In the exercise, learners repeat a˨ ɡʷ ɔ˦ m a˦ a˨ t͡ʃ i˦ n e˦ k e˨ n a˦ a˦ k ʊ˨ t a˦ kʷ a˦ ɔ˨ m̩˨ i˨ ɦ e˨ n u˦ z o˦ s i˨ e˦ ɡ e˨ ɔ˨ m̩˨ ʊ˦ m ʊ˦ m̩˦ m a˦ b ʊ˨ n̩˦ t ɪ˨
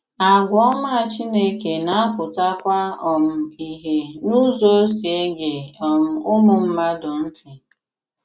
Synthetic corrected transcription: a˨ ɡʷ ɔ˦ m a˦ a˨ t͡ʃ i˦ n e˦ k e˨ n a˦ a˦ k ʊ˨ t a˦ kʷ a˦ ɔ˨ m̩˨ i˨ ɦ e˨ n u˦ z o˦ s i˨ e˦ ɡ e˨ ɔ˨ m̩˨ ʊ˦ m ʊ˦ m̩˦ m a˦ d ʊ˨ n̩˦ t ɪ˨